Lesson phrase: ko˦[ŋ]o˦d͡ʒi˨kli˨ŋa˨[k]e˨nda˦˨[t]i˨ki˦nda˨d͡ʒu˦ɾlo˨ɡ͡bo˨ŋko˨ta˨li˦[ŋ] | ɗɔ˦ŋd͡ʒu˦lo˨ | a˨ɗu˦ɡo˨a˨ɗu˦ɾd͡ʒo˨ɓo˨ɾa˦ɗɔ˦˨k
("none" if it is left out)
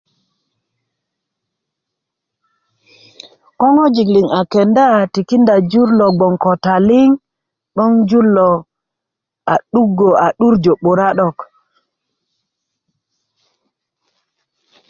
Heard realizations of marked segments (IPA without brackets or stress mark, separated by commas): ŋ, k, t, ŋ